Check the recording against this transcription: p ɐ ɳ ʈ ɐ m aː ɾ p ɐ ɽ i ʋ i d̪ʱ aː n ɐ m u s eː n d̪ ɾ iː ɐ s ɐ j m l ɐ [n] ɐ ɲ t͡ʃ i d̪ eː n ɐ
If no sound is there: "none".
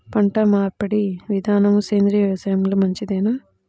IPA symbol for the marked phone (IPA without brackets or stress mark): m